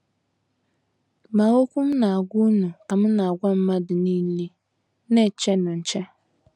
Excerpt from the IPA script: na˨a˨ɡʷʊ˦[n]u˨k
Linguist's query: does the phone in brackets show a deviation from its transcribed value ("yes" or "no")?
no